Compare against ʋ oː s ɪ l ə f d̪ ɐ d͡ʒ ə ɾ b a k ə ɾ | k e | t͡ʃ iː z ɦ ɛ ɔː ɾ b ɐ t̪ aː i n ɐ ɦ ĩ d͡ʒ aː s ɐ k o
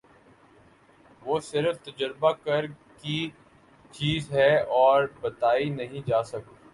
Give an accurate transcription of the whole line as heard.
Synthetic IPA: ʋ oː s ɪ ɾ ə f t̪ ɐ d͡ʒ ə ɾ b a k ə ɾ | k i | t͡ʃ iː z ɦ ɛ ɔː ɾ b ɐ t̪ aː i n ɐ ɦ ĩ d͡ʒ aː s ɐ k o